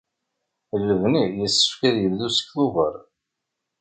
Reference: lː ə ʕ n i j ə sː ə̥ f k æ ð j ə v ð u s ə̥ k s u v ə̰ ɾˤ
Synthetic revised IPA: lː ə v n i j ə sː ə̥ f k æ ð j ə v ð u s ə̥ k θ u v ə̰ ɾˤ